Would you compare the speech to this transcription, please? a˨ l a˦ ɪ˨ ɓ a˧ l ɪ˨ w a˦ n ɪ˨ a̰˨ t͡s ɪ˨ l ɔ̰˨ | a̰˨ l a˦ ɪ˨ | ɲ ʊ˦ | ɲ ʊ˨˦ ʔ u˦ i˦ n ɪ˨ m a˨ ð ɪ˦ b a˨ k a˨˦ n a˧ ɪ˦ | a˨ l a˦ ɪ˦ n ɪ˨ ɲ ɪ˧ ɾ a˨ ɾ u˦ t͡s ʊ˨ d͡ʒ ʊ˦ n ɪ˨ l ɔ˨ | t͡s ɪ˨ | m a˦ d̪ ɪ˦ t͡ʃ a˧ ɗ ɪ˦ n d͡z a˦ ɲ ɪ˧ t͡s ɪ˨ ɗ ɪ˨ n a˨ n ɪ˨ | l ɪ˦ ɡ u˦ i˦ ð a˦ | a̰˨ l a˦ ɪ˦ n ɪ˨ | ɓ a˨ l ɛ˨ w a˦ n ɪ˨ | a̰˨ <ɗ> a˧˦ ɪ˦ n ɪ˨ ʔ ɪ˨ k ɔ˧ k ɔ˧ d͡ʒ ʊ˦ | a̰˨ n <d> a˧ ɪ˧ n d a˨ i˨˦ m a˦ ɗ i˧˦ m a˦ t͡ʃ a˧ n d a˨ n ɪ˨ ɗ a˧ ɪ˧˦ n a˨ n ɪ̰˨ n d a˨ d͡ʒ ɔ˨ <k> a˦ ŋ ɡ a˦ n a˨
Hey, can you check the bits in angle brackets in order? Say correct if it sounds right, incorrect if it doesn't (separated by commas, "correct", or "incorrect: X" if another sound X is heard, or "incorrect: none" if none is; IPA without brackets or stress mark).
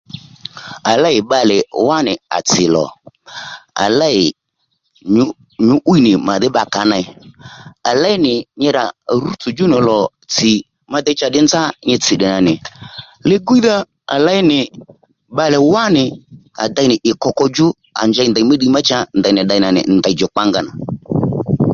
incorrect: d, incorrect: d͡ʒ, incorrect: k͡p